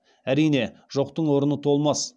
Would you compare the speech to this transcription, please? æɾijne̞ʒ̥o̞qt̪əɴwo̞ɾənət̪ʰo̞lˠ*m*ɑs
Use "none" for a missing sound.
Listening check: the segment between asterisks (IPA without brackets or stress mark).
m